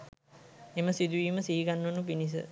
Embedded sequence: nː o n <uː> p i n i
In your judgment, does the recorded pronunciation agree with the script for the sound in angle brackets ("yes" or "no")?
no